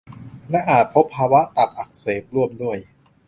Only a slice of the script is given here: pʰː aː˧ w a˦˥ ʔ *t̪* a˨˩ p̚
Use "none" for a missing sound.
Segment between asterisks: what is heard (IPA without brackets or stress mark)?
t̪